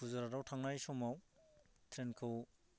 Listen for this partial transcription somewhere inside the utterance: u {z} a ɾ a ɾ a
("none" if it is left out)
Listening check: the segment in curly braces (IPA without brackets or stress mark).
z